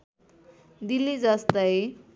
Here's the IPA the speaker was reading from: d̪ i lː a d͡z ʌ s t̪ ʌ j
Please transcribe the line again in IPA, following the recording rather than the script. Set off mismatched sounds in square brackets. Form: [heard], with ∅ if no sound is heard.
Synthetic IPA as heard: d̪ i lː [i] d͡z ʌ s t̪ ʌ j